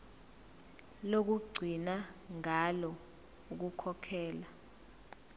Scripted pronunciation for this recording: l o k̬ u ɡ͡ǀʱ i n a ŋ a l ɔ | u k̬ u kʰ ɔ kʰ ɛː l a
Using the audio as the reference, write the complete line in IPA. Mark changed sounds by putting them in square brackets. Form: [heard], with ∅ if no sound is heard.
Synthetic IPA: l o k̬ u ɡ͡ǀʱ i n a ŋ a l ɔ | u k̬ u kʰ ɔ kʰ ɛː l a